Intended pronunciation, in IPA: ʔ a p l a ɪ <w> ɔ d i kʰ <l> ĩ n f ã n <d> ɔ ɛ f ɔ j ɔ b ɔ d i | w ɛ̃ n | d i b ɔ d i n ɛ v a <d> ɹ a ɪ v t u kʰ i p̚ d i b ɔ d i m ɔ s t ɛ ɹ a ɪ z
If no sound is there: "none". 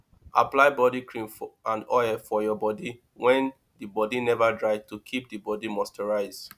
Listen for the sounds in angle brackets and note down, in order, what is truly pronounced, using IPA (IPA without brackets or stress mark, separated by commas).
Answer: b, ɹ, d, d